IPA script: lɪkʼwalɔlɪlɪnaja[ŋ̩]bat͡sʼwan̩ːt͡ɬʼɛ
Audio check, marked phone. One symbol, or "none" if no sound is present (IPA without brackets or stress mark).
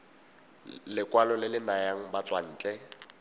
ŋ̩